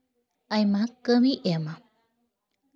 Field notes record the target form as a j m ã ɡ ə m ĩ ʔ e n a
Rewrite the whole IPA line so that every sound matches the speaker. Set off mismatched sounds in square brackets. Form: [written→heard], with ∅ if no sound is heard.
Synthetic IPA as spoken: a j m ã [ɡ→k] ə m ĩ ʔ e [n→m] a